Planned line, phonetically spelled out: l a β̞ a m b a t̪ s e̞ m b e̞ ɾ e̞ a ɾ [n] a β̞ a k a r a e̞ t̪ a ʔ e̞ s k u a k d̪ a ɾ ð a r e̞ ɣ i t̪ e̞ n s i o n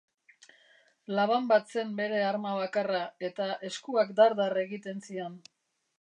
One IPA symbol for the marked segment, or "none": m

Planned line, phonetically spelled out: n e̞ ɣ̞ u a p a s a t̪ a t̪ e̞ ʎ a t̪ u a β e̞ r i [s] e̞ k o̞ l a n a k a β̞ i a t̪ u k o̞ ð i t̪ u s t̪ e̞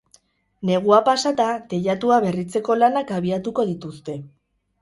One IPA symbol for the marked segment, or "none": t͡s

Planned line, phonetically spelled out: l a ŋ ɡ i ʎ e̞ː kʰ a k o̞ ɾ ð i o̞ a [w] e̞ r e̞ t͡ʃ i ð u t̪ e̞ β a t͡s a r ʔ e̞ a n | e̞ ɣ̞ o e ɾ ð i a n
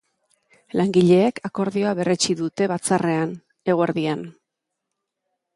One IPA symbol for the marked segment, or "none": β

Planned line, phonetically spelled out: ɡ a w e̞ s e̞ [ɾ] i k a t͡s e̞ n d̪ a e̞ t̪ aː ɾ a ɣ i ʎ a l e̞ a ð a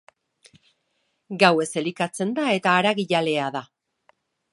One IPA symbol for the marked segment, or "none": l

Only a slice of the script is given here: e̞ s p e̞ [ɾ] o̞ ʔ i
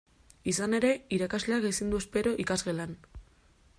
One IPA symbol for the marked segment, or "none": ɾ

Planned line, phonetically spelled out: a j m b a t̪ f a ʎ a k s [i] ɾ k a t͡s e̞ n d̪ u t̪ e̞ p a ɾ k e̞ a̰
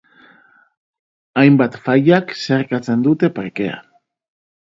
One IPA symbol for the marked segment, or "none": e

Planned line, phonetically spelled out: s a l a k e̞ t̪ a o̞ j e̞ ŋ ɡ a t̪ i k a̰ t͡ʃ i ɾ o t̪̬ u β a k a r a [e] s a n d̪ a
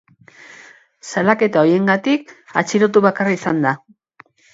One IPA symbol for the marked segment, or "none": i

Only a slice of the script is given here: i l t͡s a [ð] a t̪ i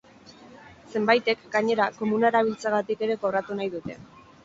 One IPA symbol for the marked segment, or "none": ɣ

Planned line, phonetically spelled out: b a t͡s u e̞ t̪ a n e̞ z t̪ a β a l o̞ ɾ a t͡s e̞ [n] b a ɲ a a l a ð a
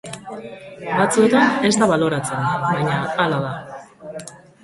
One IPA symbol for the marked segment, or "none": n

